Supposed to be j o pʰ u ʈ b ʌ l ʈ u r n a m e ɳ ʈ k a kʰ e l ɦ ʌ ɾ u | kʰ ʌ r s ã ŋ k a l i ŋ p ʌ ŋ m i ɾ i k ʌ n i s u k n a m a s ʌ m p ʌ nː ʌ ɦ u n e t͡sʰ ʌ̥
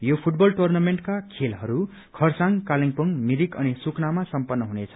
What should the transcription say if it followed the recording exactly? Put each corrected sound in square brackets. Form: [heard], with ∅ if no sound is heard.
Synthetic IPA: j o pʰ u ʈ b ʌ l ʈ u r n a m e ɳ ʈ k a kʰ e l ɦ ʌ ɾ u | kʰ ʌ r s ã ŋ k a l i ŋ p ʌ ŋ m i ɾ i k ʌ n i s u k n a m a s ʌ m p ʌ nː ʌ ɦ u n e t͡sʰ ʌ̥

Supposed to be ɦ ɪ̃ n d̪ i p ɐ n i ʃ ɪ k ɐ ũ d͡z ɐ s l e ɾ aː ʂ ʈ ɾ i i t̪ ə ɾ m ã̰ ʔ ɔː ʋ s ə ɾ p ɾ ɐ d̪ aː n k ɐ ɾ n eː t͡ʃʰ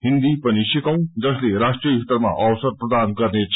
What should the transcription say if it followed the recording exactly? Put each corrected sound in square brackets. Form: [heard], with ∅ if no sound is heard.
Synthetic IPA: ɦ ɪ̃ n d̪ i p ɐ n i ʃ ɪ k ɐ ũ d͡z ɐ s l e ɾ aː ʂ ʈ ɾ i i t̪ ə ɾ m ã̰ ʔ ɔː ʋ s ə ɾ p ɾ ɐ d̪ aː n k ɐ ɾ n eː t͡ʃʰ

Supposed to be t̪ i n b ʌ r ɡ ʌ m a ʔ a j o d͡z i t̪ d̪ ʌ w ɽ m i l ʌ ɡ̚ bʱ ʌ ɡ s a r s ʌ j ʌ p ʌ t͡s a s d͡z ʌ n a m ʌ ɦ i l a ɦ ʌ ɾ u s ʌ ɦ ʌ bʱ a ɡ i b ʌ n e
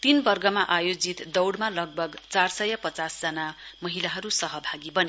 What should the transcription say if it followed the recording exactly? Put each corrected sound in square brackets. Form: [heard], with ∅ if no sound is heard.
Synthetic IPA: t̪ i n b ʌ r ɡ ʌ m a ʔ a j o d͡z i t̪ d̪ ʌ w ɽ m [a] l ʌ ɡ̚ bʱ ʌ ɡ [t͡s] a r s ʌ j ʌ p ʌ t͡s a s d͡z ʌ n a m ʌ ɦ i l a ɦ ʌ ɾ u s ʌ ɦ ʌ bʱ a ɡ i b ʌ n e

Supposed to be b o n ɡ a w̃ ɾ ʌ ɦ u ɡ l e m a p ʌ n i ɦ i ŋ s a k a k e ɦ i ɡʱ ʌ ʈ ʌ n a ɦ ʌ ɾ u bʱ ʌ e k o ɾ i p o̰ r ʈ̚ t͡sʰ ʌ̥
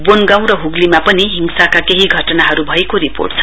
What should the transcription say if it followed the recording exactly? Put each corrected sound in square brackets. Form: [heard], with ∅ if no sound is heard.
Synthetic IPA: b o n ɡ a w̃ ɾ ʌ ɦ u ɡ l [i] m a p ʌ n i ɦ i ŋ s a k a k e ɦ i ɡʱ ʌ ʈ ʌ n a ɦ ʌ ɾ u bʱ ʌ e k o ɾ i p o̰ r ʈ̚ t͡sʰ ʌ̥

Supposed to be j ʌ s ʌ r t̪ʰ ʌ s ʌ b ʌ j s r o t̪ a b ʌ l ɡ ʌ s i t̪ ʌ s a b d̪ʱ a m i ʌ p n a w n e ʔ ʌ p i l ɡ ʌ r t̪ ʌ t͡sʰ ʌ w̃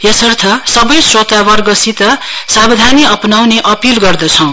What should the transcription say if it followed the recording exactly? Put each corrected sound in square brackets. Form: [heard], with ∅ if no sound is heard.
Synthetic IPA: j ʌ s ʌ r t̪ʰ ʌ s ʌ b ʌ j s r o t̪ a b ʌ [r] ɡ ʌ s i t̪ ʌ s a b d̪ʱ a [n] i ʌ p n a w n e ʔ ʌ p i l ɡ ʌ r [d̪] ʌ t͡sʰ ʌ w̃

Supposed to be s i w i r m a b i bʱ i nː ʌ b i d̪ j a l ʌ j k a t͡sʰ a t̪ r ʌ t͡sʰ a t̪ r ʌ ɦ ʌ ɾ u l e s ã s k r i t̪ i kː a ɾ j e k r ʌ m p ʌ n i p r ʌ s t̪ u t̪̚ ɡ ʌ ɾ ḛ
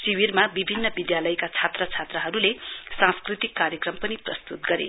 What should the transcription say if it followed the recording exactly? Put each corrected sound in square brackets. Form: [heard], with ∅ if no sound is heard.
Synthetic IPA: s i w i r m a b i bʱ i nː ʌ b i d̪ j a l ʌ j k a t͡sʰ a t̪ r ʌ t͡sʰ a t̪ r ʌ ɦ ʌ ɾ u l e s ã s k r i t̪ i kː a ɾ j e k r ʌ m p ʌ n i p r ʌ s t̪ u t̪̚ ɡ ʌ ɾ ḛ

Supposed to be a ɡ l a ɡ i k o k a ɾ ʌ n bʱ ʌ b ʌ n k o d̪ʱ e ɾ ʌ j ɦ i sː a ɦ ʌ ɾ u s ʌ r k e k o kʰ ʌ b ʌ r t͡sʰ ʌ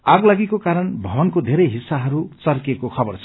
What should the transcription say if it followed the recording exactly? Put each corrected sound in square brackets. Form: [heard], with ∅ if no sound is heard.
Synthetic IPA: a ɡ l a ɡ i k o k a ɾ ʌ n bʱ ʌ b ʌ n k o d̪ʱ e ɾ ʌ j ɦ i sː a ɦ ʌ ɾ u [t͡s] ʌ r k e k o kʰ ʌ b ʌ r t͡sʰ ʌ

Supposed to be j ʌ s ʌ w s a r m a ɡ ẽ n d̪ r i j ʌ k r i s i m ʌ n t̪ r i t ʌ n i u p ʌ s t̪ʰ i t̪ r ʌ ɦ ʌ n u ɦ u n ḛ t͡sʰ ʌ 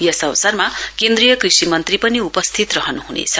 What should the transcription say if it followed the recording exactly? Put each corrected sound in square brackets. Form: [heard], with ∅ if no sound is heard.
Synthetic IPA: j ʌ s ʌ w s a r m a [k] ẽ n d̪ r i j ʌ k r i s i m ʌ n t̪ r i [p] ʌ n i u p ʌ s t̪ʰ i t̪ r ʌ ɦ ʌ n u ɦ u n ḛ t͡sʰ ʌ

